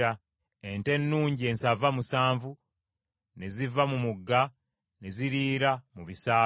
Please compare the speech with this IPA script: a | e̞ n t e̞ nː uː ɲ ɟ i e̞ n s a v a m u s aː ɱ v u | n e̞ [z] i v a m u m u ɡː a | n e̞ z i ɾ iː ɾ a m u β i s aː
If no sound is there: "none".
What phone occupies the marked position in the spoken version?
z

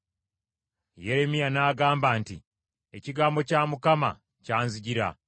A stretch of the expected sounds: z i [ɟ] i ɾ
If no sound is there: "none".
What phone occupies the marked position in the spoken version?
ɟ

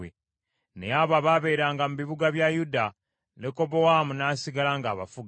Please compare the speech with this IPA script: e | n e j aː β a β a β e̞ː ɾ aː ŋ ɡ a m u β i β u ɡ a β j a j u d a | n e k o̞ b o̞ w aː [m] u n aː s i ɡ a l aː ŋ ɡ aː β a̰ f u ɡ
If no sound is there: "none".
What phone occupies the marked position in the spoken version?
m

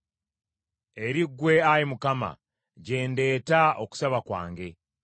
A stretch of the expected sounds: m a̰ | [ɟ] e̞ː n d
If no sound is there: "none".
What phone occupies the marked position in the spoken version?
ɟ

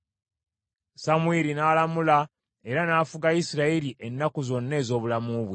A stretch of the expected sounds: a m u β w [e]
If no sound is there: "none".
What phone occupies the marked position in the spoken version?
e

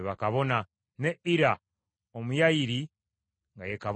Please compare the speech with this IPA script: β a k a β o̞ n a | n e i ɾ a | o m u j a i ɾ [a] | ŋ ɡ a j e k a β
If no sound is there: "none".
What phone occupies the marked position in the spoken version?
i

